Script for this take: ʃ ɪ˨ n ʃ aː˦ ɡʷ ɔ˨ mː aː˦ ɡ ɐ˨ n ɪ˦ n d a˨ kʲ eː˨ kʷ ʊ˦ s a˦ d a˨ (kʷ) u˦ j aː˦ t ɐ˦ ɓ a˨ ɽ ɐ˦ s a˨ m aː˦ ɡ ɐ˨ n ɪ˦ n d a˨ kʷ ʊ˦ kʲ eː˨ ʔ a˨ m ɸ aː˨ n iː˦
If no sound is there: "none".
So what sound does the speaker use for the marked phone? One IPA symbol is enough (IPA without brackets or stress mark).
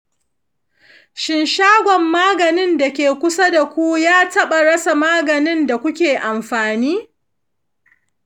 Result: kʷ